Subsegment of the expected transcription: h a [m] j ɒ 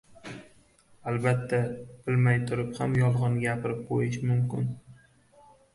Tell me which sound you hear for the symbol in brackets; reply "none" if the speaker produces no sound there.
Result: m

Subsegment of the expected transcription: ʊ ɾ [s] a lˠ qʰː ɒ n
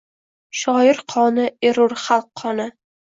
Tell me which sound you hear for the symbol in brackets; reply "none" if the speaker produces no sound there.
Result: χ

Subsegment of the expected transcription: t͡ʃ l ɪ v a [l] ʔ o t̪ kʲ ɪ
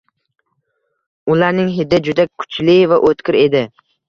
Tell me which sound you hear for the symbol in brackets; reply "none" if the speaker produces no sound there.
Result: none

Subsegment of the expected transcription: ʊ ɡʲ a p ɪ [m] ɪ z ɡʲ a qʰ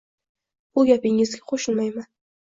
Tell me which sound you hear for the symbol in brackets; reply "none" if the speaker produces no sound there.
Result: ŋ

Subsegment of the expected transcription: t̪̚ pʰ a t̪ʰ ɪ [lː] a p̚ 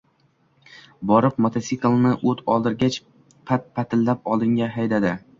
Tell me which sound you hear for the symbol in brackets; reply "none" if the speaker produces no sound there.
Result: lː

